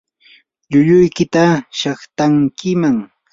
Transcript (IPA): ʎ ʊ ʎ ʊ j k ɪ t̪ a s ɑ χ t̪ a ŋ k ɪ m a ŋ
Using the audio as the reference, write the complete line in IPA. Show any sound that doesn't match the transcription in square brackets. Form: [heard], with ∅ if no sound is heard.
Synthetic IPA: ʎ ʊ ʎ ʊ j k ɪ t̪ a [ʃ] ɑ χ t̪ a ŋ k ɪ m a ŋ